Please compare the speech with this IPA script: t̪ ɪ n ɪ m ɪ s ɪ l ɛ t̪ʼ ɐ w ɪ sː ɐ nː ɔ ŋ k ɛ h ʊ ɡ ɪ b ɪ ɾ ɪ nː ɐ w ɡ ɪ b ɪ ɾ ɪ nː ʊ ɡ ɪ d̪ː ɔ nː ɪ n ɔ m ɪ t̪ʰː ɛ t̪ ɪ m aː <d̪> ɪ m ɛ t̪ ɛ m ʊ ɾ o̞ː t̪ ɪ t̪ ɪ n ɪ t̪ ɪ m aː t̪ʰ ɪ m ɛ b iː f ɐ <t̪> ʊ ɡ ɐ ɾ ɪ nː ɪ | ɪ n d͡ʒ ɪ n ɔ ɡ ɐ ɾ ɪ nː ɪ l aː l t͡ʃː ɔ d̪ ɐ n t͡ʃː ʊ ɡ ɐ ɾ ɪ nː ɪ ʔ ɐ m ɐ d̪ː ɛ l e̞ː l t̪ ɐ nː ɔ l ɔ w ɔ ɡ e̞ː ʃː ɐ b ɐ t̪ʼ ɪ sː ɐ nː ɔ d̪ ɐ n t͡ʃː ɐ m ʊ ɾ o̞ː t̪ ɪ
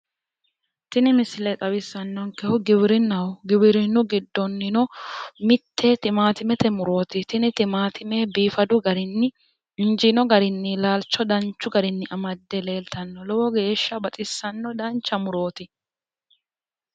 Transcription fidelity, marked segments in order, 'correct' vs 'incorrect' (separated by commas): incorrect, incorrect